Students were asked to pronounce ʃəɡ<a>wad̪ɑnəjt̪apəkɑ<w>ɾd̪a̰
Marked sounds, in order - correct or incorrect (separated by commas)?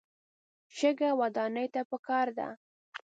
correct, incorrect